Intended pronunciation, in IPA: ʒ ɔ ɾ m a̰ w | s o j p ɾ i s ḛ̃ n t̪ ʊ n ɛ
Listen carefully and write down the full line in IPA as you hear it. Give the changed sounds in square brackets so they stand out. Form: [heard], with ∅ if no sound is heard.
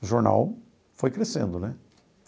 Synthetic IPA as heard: ʒ [o] ɾ [n] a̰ w | [f] o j [k] ɾ [e] s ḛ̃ n [d̪] ʊ n ɛ